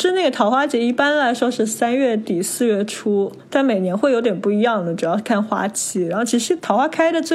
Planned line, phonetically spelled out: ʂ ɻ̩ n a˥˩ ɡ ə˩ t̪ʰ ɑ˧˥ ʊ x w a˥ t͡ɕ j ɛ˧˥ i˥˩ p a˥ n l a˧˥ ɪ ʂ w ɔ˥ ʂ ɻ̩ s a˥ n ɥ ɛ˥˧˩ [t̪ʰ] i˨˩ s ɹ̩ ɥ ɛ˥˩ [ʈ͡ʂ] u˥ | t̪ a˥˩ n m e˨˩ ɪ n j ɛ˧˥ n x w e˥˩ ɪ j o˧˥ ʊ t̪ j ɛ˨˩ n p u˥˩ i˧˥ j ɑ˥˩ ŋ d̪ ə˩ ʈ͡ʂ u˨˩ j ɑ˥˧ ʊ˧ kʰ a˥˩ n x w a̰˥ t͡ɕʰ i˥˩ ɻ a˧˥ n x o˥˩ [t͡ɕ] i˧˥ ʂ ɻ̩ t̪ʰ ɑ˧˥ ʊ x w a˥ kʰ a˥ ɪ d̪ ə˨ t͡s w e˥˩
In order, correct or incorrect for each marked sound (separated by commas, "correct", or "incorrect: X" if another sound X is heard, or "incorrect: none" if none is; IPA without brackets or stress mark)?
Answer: incorrect: t̪, incorrect: ʈ͡ʂʰ, incorrect: t͡ɕʰ